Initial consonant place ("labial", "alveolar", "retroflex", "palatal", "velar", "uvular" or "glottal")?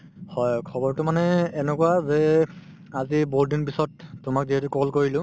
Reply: glottal